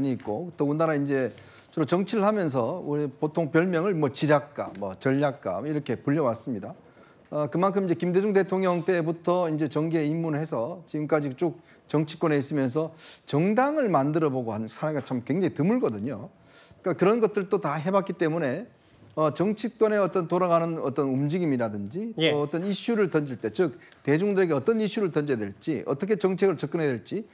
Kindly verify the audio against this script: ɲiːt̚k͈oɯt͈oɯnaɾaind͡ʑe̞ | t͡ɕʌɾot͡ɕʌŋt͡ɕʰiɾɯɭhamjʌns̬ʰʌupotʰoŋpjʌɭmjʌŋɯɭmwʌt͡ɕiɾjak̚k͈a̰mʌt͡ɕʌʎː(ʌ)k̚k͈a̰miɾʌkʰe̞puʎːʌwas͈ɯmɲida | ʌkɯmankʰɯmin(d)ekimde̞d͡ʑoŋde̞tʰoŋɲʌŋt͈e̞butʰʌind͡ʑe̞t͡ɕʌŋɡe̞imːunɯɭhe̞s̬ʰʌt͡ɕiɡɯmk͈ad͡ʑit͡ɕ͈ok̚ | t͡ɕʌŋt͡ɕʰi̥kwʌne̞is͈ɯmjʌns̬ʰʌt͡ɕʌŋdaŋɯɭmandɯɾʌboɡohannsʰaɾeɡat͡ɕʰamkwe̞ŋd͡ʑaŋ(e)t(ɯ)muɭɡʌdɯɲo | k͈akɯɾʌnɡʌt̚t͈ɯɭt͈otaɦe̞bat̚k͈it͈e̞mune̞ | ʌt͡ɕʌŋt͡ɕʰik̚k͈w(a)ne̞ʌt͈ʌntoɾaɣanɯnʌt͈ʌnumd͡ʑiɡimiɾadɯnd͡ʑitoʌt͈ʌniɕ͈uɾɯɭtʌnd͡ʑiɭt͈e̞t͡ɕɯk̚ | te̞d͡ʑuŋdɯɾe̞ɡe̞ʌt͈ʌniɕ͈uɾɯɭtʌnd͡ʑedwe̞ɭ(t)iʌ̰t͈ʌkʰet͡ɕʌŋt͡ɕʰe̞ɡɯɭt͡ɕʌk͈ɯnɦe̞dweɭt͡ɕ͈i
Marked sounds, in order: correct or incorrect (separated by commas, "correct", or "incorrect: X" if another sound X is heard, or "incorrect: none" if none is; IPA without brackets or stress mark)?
incorrect: a, incorrect: d͡ʑ, incorrect: i, correct, incorrect: ʌ, incorrect: t͡ɕ͈